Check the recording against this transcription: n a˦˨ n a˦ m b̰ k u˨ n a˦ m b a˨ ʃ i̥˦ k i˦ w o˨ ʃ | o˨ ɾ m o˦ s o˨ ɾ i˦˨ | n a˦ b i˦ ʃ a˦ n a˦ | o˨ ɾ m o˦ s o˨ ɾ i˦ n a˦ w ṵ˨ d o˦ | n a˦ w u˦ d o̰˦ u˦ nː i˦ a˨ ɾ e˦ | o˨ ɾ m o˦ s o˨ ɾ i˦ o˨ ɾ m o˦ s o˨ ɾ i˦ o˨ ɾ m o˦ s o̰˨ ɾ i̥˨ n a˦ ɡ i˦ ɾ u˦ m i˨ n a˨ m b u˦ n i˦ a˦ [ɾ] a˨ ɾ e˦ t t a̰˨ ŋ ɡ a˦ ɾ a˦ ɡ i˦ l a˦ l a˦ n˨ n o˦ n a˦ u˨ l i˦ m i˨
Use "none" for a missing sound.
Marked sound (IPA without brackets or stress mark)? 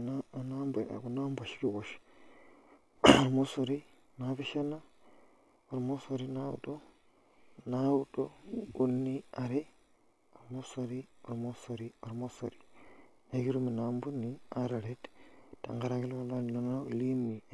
ɾ